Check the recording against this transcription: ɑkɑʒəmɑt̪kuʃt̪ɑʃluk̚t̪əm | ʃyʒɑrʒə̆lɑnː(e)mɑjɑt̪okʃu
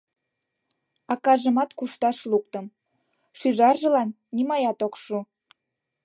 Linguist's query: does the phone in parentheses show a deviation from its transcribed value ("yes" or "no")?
yes